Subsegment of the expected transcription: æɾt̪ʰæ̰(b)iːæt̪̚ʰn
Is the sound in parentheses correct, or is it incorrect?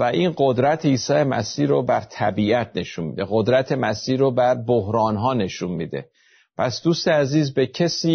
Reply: correct